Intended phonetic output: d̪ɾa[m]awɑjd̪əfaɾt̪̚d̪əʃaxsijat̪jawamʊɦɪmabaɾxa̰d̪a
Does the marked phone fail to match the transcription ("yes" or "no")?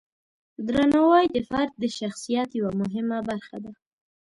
yes